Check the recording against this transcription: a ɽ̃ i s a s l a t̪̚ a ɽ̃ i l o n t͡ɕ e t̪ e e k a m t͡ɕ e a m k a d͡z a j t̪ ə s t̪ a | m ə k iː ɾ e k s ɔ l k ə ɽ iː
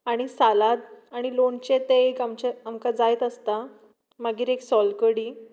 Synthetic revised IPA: a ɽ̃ i s a l a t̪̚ a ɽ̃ i l o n t͡ɕ e t̪ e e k a m t͡ɕ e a m k a d͡z a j t̪ ə s t̪ a | m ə ɡ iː ɾ e k s ɔ l k ə ɽ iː